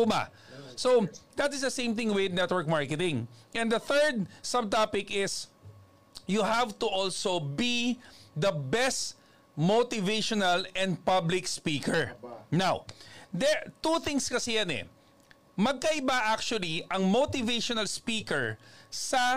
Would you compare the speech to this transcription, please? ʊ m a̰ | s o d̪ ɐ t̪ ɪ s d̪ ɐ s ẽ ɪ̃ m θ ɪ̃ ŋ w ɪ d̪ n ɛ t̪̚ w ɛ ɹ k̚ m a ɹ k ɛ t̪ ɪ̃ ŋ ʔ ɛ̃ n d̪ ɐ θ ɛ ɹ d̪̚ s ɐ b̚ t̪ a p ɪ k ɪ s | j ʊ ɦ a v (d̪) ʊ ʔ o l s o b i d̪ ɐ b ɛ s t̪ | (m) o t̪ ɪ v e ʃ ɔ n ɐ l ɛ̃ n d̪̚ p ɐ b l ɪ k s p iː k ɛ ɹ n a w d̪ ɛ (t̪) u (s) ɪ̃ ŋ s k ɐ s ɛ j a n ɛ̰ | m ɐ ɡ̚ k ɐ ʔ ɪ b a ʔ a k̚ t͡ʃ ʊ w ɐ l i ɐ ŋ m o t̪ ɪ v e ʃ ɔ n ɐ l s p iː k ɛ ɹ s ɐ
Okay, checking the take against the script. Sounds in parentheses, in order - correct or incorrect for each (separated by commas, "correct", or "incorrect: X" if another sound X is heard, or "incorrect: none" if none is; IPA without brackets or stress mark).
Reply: incorrect: t̪, correct, correct, incorrect: θ